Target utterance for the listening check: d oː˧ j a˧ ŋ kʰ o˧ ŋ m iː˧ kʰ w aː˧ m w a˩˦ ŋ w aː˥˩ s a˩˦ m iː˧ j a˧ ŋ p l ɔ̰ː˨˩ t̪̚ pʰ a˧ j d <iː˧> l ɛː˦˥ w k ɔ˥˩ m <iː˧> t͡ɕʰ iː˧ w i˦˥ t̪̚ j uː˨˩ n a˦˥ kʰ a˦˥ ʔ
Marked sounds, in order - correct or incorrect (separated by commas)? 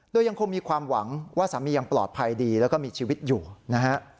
correct, correct